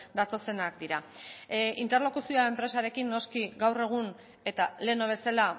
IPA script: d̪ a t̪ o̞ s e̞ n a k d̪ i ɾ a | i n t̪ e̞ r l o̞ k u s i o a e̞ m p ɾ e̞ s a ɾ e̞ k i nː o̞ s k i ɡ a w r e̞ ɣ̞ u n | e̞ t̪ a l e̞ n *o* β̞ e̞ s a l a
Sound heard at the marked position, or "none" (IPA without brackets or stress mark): o